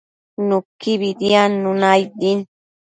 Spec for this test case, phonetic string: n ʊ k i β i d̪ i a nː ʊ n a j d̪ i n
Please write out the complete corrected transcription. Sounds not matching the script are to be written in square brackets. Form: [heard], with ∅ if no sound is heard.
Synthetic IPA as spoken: n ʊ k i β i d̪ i a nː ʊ n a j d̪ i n

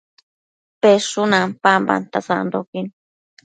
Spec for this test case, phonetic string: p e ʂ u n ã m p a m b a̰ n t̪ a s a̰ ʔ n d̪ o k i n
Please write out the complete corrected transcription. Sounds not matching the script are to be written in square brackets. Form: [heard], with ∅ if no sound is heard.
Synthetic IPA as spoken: p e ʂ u n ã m p a m b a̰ n t̪ a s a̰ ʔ n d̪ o k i n

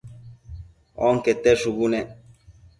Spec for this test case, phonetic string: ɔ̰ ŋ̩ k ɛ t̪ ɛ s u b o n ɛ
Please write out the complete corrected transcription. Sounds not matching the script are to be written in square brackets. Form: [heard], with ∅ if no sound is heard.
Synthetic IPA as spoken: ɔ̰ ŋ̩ k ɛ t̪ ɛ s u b [u] n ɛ

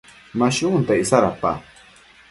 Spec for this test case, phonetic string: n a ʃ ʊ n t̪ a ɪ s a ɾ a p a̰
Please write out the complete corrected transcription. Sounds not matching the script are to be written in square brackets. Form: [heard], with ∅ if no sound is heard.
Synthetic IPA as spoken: [m] a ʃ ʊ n t̪ a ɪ s a ɾ a p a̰

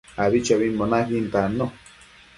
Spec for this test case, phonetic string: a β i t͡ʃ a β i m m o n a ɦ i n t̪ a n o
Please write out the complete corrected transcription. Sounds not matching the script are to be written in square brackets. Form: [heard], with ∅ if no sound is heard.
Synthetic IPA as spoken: a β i t͡ʃ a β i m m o n a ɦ i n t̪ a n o

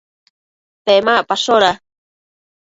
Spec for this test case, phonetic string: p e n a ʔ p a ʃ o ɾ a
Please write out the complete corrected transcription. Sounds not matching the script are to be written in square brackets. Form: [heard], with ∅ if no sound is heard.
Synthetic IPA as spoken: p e [m] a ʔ p a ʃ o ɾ a

